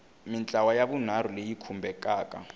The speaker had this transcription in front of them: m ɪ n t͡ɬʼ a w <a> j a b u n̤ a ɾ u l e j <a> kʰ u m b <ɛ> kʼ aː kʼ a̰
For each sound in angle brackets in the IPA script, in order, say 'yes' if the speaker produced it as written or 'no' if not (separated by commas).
yes, no, yes